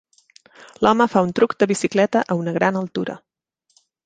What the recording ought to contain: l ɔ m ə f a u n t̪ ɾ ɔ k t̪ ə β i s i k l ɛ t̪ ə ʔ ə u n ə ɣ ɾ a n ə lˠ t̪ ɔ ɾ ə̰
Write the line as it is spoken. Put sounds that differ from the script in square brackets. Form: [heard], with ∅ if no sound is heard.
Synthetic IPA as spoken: l ɔ m ə f a u n t̪ ɾ [u] k [d̪] ə β i s i k l ɛ t̪ ə ʔ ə u n ə ɣ ɾ a n ə lˠ t̪ [u] ɾ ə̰